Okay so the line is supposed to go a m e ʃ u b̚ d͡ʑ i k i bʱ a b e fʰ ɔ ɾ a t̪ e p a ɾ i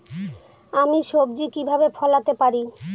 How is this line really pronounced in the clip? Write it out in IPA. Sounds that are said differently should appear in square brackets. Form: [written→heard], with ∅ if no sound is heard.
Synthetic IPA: a m [e→i] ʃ [u→o] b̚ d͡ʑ i k i bʱ a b e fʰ ɔ [ɾ→l] a t̪ e p a ɾ i